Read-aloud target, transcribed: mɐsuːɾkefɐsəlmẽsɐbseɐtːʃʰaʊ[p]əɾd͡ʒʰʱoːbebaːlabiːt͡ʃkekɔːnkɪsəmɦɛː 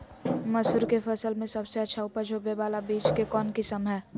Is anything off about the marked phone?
no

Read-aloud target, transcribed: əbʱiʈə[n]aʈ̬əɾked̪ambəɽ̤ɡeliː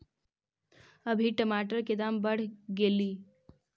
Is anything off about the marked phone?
yes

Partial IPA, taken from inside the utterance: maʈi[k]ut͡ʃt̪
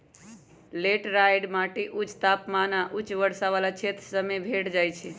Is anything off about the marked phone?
yes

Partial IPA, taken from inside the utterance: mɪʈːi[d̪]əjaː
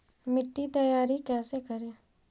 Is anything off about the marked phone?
yes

